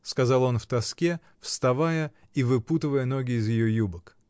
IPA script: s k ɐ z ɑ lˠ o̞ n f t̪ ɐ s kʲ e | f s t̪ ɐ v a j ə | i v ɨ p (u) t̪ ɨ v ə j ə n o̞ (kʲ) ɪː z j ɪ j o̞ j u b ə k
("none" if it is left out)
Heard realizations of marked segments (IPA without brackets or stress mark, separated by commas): u, ɡʲ